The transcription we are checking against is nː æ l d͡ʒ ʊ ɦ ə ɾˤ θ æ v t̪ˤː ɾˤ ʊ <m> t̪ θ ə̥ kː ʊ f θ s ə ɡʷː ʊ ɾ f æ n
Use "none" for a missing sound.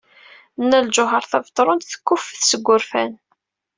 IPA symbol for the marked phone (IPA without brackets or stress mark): n